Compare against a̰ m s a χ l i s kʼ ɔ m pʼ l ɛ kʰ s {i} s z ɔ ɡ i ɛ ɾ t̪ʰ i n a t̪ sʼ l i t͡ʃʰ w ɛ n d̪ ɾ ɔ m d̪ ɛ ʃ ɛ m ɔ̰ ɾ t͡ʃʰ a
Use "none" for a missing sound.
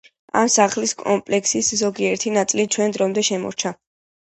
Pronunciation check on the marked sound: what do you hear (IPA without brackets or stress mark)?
i